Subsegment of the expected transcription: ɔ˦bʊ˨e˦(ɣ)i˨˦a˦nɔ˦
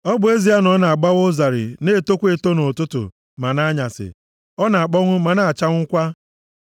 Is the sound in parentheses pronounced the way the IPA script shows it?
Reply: no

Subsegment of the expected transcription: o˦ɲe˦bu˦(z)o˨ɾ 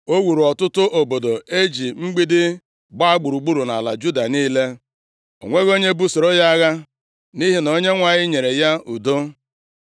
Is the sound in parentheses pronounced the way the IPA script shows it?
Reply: no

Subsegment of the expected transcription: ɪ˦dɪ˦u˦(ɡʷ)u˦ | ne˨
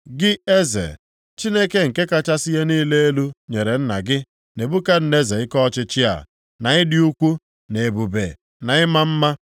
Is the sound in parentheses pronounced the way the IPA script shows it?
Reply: no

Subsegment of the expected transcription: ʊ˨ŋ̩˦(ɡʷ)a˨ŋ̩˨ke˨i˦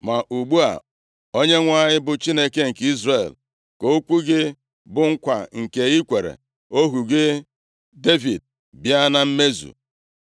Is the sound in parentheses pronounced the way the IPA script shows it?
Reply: no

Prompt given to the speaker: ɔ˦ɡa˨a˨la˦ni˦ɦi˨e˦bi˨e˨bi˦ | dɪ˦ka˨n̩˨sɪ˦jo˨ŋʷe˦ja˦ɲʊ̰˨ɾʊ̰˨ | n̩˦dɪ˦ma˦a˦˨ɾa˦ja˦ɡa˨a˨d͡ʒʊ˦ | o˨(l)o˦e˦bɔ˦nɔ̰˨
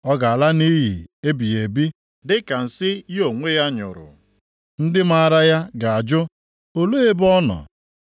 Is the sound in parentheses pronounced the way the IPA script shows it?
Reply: yes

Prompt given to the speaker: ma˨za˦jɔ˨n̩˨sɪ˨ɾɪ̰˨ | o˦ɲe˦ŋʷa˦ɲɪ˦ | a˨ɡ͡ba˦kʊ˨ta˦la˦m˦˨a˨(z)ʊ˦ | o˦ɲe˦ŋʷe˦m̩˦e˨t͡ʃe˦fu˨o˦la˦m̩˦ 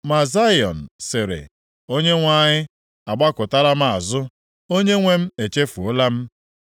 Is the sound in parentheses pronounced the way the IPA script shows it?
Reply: yes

